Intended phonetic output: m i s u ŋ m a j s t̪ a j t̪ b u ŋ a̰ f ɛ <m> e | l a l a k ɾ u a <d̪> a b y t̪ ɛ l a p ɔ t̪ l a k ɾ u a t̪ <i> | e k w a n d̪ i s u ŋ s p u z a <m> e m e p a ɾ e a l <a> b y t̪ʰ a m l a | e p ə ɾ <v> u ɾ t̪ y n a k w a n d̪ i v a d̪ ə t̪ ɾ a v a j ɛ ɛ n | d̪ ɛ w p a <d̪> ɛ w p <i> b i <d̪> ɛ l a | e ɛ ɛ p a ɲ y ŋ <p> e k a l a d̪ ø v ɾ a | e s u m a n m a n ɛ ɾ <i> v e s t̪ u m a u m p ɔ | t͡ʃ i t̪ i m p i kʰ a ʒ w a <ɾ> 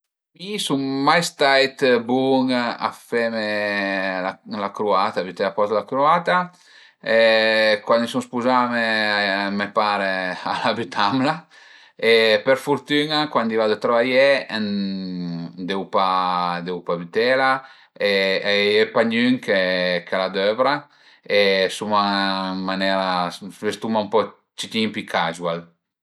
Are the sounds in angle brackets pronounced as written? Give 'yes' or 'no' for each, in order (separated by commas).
yes, no, no, yes, yes, no, yes, no, no, no, no, no